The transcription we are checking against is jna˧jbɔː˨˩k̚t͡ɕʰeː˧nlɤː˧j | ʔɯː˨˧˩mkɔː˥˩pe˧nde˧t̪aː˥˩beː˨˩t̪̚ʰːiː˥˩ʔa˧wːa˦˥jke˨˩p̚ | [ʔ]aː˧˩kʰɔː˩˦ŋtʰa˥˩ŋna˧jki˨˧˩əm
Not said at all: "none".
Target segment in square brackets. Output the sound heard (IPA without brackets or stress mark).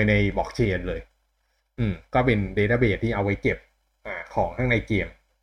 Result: ʔ